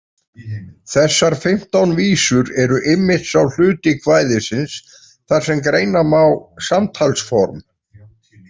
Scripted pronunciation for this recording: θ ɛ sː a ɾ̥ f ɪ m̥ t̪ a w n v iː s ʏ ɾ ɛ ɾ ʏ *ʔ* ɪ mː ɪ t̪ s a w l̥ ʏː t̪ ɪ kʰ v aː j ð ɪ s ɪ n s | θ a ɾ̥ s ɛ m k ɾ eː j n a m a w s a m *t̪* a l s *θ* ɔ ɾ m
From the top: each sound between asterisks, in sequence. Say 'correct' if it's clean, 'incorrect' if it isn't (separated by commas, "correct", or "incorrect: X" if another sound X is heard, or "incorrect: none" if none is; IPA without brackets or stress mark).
correct, incorrect: t̪ʰ, incorrect: f